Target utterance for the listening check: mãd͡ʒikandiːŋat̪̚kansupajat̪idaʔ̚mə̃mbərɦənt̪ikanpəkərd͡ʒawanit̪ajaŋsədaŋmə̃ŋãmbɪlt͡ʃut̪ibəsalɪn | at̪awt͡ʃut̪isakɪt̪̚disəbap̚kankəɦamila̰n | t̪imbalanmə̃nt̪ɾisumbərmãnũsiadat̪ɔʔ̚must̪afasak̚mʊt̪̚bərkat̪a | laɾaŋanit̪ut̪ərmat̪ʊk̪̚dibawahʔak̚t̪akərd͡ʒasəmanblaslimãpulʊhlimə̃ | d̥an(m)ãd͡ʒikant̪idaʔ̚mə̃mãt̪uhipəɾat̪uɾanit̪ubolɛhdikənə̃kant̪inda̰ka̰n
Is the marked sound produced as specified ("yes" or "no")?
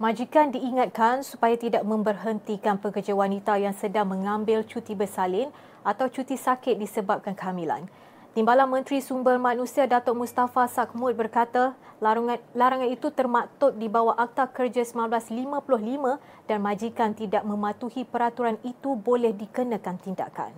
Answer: yes